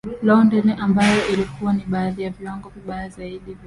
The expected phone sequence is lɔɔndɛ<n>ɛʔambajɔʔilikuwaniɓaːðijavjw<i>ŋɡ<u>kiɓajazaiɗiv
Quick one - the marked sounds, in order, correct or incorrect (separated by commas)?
correct, incorrect, incorrect